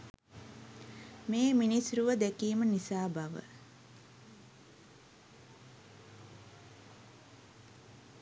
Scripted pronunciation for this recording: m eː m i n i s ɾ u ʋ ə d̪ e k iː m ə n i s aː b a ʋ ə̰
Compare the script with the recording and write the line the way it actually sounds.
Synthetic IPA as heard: m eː m i n i s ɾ u ʋ ə d̪ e k iː m ə n i s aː b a ʋ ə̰